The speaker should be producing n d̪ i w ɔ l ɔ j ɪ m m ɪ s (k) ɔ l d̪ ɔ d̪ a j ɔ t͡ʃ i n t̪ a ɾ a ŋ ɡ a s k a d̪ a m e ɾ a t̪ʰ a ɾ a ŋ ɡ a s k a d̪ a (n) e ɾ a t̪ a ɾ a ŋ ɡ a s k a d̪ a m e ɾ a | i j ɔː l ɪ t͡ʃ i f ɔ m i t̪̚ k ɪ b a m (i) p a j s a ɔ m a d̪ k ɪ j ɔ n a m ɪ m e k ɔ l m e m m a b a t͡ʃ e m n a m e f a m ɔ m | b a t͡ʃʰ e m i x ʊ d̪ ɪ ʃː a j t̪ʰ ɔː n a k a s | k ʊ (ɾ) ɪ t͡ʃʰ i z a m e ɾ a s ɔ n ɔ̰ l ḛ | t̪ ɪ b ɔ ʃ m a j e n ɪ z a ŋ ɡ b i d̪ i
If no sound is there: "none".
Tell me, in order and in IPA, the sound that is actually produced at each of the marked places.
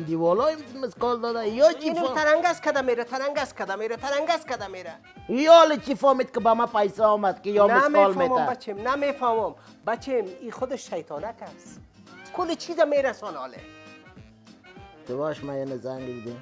k, m, a, l

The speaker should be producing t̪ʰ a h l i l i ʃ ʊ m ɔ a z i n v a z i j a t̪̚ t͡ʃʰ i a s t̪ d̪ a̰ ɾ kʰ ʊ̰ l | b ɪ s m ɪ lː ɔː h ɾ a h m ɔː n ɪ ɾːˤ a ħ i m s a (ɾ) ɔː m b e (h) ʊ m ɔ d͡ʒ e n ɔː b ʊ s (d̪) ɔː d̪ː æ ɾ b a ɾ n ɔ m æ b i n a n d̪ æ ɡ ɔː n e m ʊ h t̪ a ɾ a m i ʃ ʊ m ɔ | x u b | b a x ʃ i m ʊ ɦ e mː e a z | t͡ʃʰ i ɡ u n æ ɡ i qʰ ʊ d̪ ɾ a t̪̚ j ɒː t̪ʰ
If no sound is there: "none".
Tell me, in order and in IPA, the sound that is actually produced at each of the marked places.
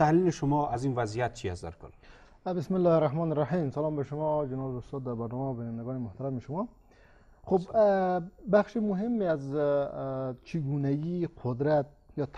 l, ʃ, t̪

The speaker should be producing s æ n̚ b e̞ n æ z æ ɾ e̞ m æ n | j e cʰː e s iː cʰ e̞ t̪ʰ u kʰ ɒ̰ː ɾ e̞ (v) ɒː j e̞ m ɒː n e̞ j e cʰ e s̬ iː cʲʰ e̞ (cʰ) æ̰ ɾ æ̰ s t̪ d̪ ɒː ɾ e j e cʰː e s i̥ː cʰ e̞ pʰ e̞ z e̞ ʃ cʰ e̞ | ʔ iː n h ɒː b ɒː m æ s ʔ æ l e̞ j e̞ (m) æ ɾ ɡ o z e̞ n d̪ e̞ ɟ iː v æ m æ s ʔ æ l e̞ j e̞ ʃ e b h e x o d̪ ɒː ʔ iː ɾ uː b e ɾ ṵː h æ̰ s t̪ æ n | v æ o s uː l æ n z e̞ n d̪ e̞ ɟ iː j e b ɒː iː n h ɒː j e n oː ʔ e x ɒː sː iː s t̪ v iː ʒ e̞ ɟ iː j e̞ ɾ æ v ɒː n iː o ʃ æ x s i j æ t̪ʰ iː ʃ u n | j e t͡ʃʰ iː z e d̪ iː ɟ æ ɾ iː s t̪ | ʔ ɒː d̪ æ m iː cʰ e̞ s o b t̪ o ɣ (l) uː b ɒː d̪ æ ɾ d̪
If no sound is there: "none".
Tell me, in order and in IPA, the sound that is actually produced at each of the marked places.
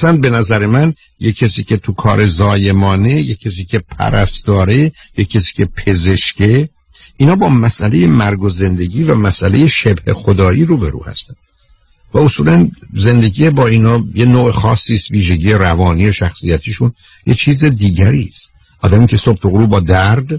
z, pʰ, m, ɾ

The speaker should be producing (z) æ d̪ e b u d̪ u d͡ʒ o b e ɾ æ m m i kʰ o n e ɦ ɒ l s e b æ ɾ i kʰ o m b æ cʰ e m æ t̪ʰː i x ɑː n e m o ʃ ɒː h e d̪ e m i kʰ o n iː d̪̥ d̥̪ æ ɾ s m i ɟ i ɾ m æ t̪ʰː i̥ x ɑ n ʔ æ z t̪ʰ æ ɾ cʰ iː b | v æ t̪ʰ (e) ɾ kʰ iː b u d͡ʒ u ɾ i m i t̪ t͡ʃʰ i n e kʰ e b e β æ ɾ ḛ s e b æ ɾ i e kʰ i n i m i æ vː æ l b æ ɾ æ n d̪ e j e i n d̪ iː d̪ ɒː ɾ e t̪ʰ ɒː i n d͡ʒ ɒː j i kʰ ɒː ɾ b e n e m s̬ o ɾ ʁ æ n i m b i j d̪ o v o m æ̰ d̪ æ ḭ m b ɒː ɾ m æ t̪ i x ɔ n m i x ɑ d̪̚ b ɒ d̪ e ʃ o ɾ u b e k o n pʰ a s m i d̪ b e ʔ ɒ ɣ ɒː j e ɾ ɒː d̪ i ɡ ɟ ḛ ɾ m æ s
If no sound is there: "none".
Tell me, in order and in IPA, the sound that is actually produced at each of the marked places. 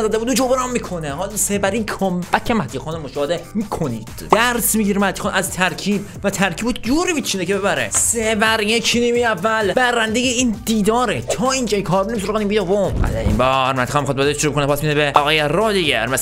z, æ

